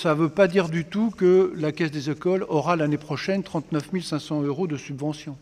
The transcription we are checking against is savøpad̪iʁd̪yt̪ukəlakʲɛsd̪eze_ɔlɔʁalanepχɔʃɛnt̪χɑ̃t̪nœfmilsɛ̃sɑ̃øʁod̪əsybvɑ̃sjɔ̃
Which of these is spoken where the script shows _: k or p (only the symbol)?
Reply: k